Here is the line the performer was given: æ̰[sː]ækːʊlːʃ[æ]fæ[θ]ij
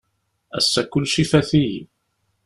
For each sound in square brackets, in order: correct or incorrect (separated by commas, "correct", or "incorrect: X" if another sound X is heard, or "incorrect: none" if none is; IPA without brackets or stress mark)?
correct, incorrect: i, correct